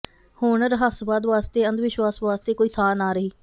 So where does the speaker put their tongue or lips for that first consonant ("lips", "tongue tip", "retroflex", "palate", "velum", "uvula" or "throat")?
throat